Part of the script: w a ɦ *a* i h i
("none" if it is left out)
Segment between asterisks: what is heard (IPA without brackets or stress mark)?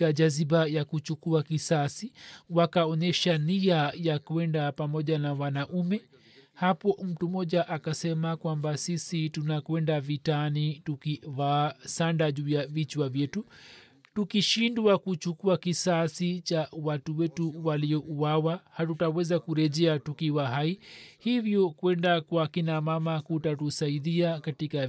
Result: a